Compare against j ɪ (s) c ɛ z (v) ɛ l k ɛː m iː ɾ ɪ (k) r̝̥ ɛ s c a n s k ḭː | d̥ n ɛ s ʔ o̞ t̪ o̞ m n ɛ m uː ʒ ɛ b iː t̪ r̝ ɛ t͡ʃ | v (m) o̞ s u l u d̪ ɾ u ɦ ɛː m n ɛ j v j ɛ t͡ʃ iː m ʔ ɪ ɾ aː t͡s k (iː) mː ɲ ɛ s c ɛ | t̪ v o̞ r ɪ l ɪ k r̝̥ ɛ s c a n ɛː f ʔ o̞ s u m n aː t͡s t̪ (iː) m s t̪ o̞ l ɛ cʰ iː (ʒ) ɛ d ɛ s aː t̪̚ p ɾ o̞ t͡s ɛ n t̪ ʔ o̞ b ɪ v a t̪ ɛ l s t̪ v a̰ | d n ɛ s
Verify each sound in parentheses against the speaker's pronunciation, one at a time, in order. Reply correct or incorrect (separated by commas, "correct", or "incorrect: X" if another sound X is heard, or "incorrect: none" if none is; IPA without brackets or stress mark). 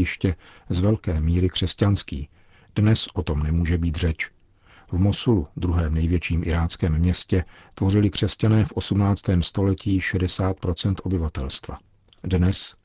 incorrect: ʃ, correct, correct, correct, incorrect: ɛː, incorrect: ɛː, incorrect: ʃ